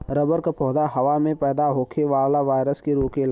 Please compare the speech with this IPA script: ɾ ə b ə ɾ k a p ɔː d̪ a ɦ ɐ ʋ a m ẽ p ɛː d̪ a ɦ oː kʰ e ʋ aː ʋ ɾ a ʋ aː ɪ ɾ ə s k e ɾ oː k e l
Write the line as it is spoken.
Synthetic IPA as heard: ɾ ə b ə ɾ k a p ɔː d̪ a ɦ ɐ ʋ a m ẽ p ɛː d̪ a ɦ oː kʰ e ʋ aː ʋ l a ʋ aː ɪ ɾ ə s k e ɾ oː k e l